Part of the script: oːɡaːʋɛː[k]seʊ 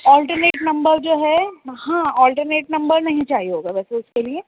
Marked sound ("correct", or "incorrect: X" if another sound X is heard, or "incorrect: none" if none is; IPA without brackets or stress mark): incorrect: none